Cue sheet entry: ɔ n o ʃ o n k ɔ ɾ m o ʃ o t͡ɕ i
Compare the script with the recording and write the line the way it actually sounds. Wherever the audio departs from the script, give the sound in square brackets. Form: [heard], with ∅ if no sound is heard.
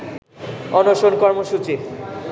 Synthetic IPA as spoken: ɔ n o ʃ o n k ɔ ɾ m o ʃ [u] t͡ɕ i